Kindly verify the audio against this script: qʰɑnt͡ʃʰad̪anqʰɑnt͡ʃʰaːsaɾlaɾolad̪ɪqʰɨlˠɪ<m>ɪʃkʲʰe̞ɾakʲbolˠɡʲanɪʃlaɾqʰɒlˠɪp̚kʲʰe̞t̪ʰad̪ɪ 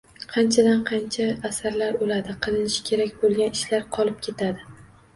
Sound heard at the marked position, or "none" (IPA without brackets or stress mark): n